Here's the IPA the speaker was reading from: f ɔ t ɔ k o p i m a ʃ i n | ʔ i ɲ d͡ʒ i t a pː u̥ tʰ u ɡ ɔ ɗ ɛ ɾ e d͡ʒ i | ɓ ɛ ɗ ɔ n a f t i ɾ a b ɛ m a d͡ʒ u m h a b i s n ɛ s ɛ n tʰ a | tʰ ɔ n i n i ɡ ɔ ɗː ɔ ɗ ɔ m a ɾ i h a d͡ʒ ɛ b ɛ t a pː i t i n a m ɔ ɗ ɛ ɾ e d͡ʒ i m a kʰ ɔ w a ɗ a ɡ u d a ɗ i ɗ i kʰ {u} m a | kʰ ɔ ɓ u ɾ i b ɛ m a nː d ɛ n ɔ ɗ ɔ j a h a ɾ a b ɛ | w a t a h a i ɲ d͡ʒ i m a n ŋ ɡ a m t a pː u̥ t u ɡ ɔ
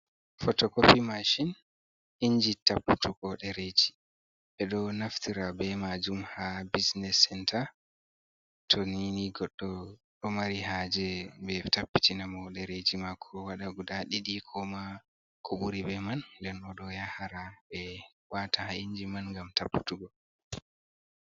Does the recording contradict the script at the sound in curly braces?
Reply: yes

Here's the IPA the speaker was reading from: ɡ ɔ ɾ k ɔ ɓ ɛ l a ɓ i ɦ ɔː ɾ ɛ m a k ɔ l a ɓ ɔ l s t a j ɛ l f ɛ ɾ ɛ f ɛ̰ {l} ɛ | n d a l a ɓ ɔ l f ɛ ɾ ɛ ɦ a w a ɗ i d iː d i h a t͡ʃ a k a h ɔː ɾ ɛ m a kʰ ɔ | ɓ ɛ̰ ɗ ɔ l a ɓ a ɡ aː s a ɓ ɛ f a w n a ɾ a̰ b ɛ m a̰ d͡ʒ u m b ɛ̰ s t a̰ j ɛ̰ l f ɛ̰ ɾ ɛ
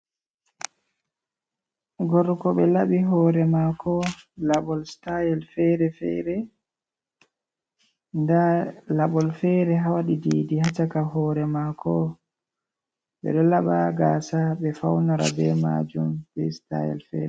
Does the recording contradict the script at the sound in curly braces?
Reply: yes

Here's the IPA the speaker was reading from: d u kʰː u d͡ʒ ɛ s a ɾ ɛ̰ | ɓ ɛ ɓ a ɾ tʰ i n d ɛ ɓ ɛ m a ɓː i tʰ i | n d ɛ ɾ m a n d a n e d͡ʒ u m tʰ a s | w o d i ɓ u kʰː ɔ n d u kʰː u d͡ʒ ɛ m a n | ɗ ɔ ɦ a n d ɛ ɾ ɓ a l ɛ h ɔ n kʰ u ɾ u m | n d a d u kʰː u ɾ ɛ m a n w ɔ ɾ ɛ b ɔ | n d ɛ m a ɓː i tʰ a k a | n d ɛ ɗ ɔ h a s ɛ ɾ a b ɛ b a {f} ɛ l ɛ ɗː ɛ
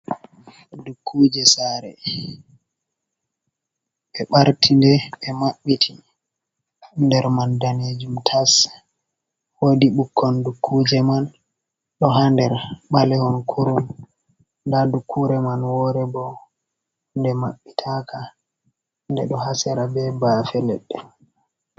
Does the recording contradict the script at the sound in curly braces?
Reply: no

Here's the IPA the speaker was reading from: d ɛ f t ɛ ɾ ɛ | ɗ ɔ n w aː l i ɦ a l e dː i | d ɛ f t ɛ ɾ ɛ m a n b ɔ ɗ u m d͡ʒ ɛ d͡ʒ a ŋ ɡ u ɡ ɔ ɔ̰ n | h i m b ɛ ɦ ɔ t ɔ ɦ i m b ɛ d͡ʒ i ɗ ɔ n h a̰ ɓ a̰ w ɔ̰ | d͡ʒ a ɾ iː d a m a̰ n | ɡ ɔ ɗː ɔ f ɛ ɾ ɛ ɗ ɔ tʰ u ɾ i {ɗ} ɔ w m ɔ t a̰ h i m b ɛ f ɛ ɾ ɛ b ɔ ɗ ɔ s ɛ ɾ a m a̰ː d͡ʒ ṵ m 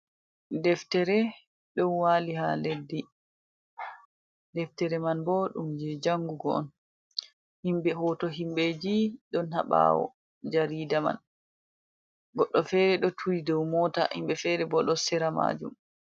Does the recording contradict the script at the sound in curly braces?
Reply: yes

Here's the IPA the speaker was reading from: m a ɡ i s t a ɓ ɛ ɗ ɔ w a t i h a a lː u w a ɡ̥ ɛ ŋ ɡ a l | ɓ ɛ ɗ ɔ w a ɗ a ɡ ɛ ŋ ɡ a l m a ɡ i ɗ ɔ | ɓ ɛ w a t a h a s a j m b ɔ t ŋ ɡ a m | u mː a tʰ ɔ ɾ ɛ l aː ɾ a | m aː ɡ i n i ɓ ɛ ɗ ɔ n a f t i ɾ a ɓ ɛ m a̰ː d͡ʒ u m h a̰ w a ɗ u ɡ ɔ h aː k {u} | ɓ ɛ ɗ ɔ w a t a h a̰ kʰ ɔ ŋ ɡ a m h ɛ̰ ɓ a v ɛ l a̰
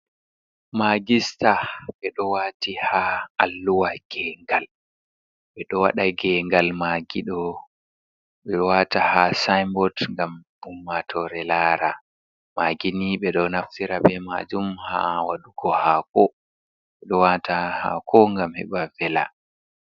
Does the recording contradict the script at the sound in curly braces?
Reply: yes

